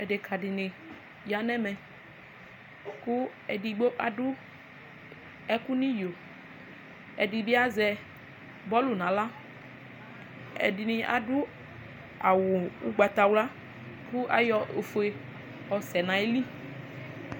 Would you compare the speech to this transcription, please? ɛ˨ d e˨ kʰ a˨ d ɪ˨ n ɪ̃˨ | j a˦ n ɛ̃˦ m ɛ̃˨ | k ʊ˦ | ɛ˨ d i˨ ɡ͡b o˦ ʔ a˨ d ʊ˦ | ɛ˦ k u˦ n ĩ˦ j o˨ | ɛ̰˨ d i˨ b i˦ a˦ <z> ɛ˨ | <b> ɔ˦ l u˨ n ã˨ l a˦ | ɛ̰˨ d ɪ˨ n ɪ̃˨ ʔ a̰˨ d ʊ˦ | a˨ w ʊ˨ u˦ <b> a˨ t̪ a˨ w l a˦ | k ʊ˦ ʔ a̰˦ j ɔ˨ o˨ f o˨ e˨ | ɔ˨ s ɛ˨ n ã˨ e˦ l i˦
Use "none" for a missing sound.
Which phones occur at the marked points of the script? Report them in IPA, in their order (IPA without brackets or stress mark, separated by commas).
z, b, ɡ͡b